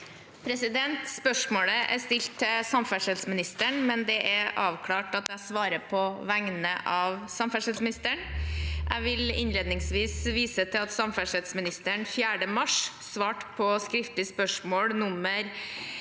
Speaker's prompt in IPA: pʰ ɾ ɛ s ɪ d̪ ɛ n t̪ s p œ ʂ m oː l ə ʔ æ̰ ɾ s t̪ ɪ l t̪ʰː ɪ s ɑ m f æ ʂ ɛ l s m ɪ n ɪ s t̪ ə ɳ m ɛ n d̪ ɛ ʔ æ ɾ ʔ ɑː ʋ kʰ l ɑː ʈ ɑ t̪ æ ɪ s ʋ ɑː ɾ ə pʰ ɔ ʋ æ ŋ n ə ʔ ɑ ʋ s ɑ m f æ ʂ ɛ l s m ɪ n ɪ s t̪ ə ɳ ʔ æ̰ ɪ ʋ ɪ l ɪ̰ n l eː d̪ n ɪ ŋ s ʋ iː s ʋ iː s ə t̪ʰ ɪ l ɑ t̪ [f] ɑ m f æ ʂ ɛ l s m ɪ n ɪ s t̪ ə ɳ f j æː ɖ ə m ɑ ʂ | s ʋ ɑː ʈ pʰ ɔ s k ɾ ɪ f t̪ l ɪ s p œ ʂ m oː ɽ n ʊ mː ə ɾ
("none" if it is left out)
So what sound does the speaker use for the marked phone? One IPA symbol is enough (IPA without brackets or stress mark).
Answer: s